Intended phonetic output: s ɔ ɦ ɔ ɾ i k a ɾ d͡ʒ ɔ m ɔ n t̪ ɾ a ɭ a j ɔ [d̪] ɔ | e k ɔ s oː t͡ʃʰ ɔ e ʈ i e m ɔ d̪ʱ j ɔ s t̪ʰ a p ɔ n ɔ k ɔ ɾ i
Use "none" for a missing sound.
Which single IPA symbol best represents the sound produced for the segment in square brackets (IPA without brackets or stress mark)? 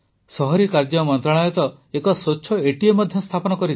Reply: t̪